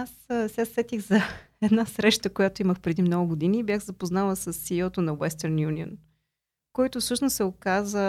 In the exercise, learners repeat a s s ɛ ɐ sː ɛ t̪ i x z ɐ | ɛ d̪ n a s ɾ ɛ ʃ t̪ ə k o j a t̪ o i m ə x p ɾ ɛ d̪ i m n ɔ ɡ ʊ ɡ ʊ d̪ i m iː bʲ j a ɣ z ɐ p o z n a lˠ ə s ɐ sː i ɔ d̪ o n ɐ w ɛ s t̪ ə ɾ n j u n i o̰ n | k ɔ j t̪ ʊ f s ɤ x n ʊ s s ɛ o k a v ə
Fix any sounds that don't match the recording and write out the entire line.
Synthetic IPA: a s s ɛ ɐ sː ɛ t̪ i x z ɐ | ɛ d̪ n a s ɾ ɛ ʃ t̪ ə k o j a t̪ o i m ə x p ɾ ɛ d̪ i m n ɔ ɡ ʊ ɡ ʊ d̪ i n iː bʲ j a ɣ z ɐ p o z n a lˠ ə s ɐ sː i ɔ t̪ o n ɐ w ɛ s t̪ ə ɾ n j u n i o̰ n | k ɔ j t̪ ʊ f s ɤ ʃ n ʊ s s ɛ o k a z ə